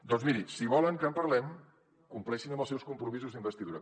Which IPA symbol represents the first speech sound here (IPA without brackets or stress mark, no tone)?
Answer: d̪